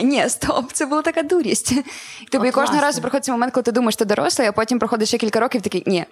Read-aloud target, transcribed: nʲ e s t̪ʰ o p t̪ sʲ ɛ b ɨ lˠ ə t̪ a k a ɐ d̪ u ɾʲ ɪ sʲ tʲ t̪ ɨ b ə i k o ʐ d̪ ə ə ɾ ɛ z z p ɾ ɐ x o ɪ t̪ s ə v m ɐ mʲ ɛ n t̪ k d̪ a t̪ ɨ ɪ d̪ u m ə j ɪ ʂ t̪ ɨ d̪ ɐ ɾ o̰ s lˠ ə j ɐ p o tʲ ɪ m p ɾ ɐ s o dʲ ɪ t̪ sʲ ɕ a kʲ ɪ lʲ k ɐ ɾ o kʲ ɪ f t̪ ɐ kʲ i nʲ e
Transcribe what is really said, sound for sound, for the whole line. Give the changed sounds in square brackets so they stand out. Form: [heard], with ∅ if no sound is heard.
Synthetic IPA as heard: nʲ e s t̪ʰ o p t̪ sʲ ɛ b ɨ lˠ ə t̪ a k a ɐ d̪ u ɾʲ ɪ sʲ tʲ t̪ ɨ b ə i k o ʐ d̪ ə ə ɾ [a] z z p ɾ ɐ x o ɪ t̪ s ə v m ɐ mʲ ɛ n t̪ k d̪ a t̪ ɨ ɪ d̪ u m ə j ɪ ʂ t̪ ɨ d̪ ɐ ɾ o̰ s lˠ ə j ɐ p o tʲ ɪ m p ɾ ɐ [x] o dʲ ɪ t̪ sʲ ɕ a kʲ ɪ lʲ k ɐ ɾ o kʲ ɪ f t̪ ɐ kʲ i nʲ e